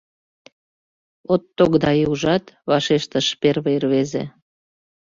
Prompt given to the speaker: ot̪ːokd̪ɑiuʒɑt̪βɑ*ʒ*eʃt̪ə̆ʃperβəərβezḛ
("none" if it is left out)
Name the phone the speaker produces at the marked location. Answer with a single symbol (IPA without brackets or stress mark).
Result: ʃ